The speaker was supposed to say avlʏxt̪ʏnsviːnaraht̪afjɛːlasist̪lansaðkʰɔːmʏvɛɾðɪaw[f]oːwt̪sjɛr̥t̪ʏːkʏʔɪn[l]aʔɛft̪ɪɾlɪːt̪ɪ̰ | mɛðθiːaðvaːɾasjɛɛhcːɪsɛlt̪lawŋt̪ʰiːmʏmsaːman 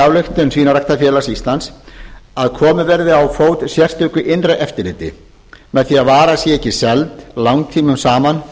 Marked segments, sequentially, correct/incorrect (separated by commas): correct, incorrect